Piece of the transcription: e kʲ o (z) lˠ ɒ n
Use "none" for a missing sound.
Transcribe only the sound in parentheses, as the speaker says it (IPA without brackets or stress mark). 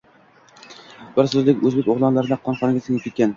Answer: ʁ